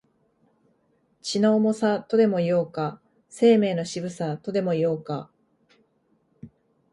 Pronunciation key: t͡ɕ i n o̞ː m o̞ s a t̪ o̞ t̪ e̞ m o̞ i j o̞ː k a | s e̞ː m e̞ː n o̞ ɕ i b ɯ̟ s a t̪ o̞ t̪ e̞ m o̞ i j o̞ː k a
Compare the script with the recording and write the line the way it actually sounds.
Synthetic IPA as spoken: t͡ɕ i n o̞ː m o̞ s a t̪ o̞ d̪ e̞ m o̞ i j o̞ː k a | s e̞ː m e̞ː n o̞ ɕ i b ɯ̟ s a t̪ o̞ d̪ e̞ m o̞ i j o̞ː k a